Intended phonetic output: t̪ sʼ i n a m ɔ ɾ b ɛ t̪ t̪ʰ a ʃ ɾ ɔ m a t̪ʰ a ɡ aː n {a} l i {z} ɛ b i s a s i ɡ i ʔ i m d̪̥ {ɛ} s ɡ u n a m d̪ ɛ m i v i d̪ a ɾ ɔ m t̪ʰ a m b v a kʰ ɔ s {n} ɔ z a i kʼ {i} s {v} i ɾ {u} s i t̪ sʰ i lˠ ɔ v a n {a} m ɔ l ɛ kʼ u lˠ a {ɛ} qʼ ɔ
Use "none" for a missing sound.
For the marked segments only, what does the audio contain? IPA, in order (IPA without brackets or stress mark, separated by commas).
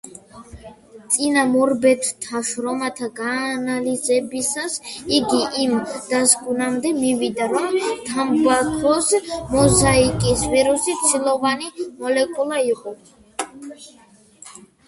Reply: a, z, a, m, i, v, u, i, i